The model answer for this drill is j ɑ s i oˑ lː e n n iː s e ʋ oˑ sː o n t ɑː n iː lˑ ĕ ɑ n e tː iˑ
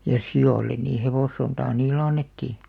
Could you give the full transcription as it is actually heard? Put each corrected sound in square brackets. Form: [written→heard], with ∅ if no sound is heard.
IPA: j ɑ s i oˑ lː e n n iː [s→h] e ʋ oˑ sː o n t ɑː n iː lˑ ĕ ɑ [n→nː] e tː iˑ